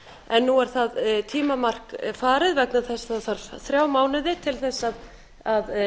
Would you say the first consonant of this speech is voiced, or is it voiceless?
voiced